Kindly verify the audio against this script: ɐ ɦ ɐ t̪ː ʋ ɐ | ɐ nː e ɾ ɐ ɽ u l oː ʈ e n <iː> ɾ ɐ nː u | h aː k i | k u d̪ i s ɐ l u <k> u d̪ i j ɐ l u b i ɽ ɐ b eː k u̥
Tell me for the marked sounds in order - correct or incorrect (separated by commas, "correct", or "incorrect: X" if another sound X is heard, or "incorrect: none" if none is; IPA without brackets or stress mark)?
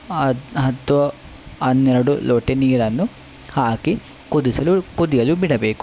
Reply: correct, correct